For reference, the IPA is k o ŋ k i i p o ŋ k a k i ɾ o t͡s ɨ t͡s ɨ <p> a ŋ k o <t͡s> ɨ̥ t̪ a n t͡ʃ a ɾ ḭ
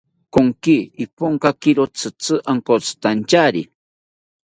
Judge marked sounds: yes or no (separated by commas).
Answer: no, yes